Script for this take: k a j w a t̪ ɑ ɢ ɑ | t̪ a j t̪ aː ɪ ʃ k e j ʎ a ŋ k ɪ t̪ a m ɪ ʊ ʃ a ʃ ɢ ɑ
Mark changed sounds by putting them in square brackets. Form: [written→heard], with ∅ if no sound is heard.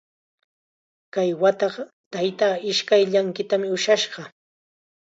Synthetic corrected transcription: k a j w a t̪ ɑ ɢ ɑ | t̪ a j t̪ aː ɪ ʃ k [e→a] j ʎ a ŋ k ɪ t̪ a m ɪ ʊ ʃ a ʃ ɢ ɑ